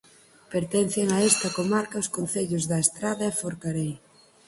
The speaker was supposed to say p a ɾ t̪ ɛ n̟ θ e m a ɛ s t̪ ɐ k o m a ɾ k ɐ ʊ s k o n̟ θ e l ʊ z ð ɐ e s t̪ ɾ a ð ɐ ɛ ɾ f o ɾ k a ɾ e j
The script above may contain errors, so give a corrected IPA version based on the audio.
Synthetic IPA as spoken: p e ɾ t̪ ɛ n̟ θ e ŋ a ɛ s t̪ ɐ k o m a ɾ k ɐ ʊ s k o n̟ θ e ʎ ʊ z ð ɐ e s t̪ ɾ a ð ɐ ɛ f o ɾ k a ɾ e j